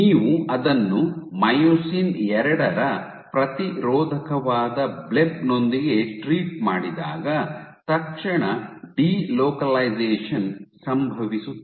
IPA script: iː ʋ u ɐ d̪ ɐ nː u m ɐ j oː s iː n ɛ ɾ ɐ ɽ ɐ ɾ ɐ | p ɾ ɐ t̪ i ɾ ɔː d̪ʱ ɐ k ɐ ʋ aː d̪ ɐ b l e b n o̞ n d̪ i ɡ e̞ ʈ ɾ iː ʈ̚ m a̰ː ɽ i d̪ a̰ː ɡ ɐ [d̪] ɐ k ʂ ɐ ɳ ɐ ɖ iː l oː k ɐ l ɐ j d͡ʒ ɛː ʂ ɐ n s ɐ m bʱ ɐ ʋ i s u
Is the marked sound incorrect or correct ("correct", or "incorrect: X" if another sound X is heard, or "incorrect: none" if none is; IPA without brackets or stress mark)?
incorrect: t̪